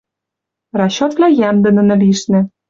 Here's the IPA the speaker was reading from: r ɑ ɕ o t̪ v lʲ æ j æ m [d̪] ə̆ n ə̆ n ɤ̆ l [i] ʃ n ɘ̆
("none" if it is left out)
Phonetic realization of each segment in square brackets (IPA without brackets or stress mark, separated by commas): d̪, i